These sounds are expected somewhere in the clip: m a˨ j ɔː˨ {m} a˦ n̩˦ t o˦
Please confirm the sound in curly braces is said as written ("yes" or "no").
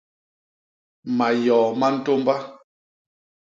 yes